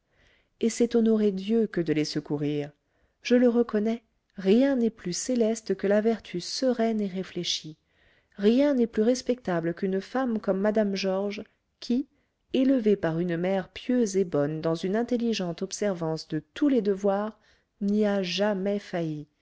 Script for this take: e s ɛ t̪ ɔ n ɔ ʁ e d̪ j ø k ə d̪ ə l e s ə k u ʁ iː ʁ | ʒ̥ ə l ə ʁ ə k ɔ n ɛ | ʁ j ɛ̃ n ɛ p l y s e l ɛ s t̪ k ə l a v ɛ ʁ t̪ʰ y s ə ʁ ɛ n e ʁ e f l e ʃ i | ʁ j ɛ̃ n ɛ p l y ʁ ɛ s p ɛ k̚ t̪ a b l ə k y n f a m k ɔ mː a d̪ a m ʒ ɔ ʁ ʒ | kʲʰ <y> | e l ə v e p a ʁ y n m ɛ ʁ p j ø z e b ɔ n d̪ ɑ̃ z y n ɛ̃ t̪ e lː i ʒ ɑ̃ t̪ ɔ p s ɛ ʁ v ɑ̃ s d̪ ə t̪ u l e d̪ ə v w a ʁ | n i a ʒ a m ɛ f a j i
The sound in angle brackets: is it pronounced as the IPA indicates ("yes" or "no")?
no